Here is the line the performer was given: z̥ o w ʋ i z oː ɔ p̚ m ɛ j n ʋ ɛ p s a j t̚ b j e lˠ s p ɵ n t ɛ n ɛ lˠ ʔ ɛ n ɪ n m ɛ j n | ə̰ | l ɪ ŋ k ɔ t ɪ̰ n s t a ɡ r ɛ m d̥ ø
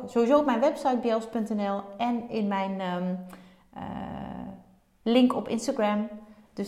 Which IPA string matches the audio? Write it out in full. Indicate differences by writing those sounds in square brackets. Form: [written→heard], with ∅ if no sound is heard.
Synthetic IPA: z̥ o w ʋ i z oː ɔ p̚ m ɛ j n ʋ ɛ p s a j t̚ b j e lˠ s p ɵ n t ɛ n ɛ lˠ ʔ ɛ n ɪ n m ɛ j n | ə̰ | l ɪ ŋ k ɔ [t→p] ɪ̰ n s t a ɡ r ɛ m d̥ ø